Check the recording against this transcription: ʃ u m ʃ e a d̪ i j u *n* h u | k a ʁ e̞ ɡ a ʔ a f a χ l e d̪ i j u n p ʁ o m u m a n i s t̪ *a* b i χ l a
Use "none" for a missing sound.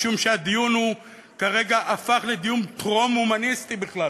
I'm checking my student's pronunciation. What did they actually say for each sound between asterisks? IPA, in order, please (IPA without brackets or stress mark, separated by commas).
n, i